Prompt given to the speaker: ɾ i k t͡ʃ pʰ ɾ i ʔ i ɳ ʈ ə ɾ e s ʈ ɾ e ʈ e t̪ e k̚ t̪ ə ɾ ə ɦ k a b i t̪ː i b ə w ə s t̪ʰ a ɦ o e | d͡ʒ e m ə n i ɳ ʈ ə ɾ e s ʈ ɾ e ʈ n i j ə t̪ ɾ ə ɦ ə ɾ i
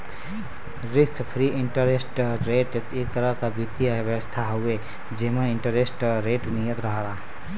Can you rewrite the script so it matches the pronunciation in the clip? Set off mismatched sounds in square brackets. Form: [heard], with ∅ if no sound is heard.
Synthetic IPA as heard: ɾ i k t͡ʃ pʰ ɾ i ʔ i ɳ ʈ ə ɾ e s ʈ ɾ e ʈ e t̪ e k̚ t̪ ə ɾ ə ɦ k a b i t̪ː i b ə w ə s t̪ʰ a ɦ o e | d͡ʒ e m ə n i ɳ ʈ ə ɾ e s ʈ ɾ e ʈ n i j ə t̪ ɾ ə ɦ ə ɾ [a]